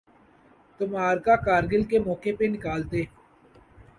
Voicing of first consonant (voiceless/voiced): voiceless